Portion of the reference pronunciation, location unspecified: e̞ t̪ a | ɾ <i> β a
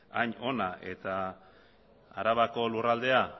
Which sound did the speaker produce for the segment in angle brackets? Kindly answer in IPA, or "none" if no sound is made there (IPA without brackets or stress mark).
a